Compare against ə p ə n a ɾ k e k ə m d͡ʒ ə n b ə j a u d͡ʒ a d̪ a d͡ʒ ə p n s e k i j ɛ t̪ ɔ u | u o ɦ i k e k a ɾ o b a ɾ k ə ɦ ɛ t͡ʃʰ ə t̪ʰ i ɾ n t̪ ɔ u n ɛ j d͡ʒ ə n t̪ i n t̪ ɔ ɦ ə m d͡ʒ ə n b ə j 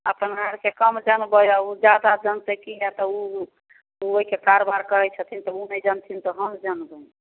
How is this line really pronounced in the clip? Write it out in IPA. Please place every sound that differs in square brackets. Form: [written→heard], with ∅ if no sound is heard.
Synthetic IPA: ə p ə n a ɾ k e k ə m d͡ʒ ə n b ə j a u d͡ʒ a d̪ a d͡ʒ ə [p→∅] n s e k i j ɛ t̪ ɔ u | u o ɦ i k e k a ɾ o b a ɾ k ə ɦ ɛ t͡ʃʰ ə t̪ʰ i [ɾ→∅] n t̪ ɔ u n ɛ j d͡ʒ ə n [t̪→t̪ʰ] i n t̪ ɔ ɦ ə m d͡ʒ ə n b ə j